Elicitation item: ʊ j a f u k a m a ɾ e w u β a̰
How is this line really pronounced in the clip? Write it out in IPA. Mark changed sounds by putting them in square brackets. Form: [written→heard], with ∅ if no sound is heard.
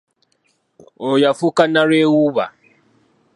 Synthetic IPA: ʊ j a f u k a [m→n] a ɾ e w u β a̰